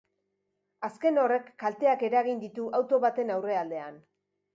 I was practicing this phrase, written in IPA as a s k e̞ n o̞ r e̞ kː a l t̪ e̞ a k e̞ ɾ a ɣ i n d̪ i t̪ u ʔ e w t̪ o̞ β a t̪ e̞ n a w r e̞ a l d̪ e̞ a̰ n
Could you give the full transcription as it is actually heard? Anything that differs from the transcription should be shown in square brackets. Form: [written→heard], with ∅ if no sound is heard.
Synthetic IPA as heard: a s k e̞ n o̞ r e̞ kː a l t̪ e̞ a k e̞ ɾ a ɣ i n d̪ i t̪ u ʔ [e→a] w t̪ o̞ β a t̪ e̞ n a w r e̞ a l d̪ e̞ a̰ n